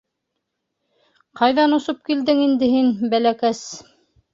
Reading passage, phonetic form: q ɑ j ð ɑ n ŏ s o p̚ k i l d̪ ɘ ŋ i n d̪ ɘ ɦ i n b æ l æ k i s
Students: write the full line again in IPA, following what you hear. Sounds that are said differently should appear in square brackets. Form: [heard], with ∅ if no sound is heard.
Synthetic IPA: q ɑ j ð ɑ n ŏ s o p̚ k i l d̪ ɘ ŋ i n d̪ ɘ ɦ i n b æ l æ k [æ] s